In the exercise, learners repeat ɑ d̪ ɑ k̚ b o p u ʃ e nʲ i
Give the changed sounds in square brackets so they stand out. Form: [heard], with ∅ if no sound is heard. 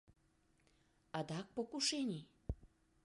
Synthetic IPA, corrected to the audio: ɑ d̪ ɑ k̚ [p] o [k] u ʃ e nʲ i

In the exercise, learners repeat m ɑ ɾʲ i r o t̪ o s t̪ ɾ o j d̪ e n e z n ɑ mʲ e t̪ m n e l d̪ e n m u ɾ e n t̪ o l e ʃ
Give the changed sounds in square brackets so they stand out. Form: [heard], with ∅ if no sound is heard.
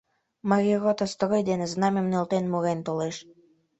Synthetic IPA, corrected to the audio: m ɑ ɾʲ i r o t̪ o s t̪ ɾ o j d̪ e n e z n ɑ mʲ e [∅] m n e l [t̪] e n m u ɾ e n t̪ o l e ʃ

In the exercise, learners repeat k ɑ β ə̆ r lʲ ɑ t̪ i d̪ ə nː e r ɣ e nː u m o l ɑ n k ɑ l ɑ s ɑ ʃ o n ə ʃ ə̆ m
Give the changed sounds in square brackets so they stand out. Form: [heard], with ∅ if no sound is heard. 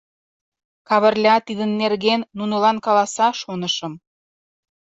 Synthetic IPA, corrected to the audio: k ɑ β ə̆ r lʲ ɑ t̪ i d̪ ə nː e r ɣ e nː u [n] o l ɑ n k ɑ l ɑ s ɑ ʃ o n ə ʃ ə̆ m

